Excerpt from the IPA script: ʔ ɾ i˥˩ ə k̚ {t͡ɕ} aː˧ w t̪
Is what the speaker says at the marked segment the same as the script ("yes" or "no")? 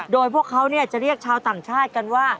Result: no